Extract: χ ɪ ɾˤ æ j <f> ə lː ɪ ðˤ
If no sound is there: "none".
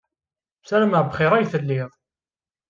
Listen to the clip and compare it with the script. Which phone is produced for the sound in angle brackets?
θ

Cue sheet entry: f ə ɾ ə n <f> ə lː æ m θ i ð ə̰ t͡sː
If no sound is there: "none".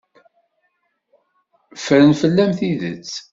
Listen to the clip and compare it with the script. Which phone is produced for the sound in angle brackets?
f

